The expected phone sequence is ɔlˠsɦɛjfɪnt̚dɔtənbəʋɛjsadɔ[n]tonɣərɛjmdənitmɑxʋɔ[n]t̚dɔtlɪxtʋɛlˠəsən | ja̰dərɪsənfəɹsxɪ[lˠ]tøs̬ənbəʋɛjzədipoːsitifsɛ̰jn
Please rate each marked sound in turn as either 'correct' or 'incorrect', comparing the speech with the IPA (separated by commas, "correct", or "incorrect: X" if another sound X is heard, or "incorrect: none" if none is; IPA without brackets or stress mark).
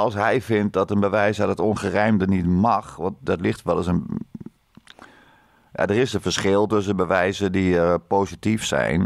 incorrect: none, correct, correct